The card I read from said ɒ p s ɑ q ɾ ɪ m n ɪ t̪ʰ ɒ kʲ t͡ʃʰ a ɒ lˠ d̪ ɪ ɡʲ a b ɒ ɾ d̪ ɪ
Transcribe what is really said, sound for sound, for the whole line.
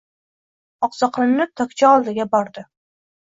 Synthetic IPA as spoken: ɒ q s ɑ q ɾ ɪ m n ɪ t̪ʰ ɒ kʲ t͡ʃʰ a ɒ lˠ d̪ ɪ ɡʲ a b ɒ ɾ d̪ ɪ

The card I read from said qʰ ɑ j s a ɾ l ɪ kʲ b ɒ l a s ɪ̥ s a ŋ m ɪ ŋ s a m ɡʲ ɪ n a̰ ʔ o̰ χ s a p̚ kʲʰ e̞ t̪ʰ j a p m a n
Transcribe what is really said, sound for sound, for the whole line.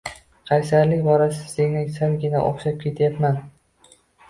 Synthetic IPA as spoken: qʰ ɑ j s a ɾ l ɪ kʲ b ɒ ɾ a s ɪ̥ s e ŋ n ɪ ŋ s a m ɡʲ ɪ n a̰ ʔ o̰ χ ʃ a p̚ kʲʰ e̞ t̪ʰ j a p m a n

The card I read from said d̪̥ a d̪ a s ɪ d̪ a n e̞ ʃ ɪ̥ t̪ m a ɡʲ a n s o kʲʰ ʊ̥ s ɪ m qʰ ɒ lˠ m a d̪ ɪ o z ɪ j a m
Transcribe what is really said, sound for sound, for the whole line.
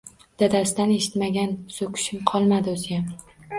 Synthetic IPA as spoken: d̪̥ a d̪ a s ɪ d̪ a n e̞ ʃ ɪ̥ t̪ m a ɡʲ a n s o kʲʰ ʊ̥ ʃ ɪ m qʰ ɒ lˠ m a d̪ ɪ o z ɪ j a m

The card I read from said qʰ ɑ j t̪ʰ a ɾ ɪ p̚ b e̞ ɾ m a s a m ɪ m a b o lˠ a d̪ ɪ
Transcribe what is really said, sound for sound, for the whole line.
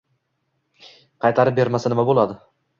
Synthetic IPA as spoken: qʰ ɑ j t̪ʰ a ɾ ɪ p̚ b e̞ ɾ m a s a n ɪ m a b o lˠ a d̪ ɪ

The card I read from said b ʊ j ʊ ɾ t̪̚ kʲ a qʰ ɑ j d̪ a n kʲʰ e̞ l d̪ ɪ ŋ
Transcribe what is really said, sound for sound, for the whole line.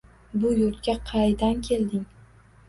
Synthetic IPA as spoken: b ʊ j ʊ ɾ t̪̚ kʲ a qʰ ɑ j d̪ a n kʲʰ e̞ l d̪ ɪ ŋ

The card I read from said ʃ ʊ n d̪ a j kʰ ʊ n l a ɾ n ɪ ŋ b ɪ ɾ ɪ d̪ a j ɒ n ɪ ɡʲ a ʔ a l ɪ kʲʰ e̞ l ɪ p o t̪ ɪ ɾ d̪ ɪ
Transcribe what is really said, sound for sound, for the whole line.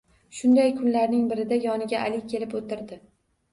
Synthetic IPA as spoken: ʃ ʊ n d̪ a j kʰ ʊ n l a ɾ n ɪ ŋ b ɪ ɾ ɪ d̪ a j ɒ n ɪ ɡʲ a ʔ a l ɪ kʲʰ e̞ l ɪ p o t̪ ɪ ɾ d̪ ɪ

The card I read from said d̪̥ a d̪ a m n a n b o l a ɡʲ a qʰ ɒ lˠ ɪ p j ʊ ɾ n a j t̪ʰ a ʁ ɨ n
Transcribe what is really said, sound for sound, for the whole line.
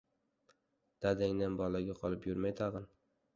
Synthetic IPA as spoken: d̪̥ a d̪ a ŋ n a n b ɒ l a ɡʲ a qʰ ɒ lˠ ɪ p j ʊ ɾ m a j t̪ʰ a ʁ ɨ n

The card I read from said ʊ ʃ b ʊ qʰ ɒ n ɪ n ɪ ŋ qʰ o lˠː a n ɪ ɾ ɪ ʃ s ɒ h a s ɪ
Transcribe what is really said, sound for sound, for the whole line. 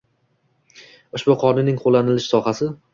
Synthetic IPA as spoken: ʊ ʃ b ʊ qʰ ɒ n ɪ n ɪ ŋ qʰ o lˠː a n ɪ l ɪ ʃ s ɒ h a s ɪ

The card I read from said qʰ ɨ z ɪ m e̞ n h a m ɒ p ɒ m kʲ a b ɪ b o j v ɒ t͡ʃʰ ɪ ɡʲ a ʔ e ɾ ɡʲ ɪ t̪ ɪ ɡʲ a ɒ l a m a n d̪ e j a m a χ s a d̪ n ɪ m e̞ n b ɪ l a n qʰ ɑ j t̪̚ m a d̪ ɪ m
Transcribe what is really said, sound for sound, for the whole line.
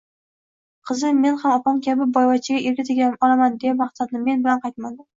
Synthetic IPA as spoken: qʰ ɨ z ɪ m e̞ n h a m ɒ p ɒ m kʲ a b ɪ b ɒ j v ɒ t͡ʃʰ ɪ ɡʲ a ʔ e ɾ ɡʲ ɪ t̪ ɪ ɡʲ a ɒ l a m a n d̪ e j a m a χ s a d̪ n ɪ m e̞ n b ɪ l a n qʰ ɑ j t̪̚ m a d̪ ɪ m

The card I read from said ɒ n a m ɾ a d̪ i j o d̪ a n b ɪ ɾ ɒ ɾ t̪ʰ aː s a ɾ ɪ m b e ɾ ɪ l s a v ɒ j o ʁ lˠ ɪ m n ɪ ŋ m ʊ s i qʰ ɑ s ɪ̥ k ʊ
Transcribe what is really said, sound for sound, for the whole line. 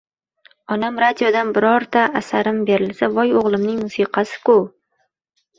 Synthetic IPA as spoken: ɒ n a m ɾ a d̪ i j o d̪ a n b ɪ ɾ ɒ ɾ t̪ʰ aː s a ɾ ɪ m b e ɾ ɪ l s a v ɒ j o ʁ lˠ ɪ m n ɪ ŋ m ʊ s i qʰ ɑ s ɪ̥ k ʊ

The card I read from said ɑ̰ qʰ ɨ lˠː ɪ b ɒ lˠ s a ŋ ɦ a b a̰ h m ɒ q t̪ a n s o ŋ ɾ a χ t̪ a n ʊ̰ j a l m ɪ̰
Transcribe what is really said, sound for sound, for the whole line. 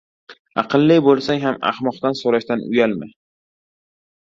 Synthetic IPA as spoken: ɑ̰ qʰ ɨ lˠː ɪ b o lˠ s a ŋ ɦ a m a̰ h m ɒ q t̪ a n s o ɾ a ʃ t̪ a n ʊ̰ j a l m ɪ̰

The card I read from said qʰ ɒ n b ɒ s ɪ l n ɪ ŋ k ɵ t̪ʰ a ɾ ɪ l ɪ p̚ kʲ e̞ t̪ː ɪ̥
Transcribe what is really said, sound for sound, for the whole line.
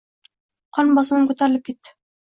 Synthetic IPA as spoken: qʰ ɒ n b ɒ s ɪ n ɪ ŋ k ɵ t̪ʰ a ɾ ɪ l ɪ p̚ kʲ e̞ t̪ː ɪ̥

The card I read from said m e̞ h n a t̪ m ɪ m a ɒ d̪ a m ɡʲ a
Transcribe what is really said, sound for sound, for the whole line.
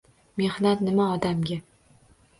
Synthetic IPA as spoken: m e̞ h n a t̪ n ɪ m a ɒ d̪ a m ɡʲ a

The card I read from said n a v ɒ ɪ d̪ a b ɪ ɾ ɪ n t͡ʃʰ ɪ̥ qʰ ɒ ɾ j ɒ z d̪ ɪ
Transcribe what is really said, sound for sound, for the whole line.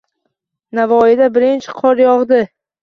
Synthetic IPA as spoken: n a v ɒ ɪ d̪ a b ɪ ɾ ɪ n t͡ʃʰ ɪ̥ qʰ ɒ ɾ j ɒ ʁ d̪ ɪ

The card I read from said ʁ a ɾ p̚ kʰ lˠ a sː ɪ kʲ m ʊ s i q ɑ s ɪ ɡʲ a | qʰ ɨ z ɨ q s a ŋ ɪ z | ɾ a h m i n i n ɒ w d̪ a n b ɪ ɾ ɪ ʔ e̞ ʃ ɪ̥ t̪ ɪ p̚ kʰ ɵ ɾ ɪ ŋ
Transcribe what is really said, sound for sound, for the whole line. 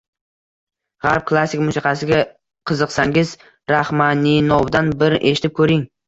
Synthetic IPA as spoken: ʁ a ɾ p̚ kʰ lˠ a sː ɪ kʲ m ʊ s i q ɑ s ɪ ɡʲ a | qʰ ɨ z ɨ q s a ŋ ɪ z | ɾ a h m a n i n ɒ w d̪ a n b ɪ ɾ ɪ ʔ e̞ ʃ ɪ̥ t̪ ɪ p̚ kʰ ɵ ɾ ɪ ŋ

